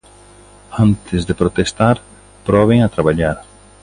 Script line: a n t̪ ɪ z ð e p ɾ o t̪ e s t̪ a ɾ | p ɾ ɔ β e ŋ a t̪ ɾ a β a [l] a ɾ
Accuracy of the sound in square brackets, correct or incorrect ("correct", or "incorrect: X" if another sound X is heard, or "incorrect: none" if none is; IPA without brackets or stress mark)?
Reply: incorrect: ʎ